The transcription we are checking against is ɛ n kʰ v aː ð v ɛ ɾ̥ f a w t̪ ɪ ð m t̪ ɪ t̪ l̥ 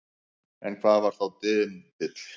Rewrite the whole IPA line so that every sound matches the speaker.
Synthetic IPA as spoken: ɛ n kʰ v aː ð v a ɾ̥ θ a w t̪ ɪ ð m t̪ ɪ t̪ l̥